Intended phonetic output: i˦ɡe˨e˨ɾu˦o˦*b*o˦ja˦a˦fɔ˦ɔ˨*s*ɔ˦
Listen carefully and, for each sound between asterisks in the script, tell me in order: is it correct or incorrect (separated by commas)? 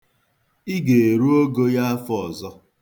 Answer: incorrect, incorrect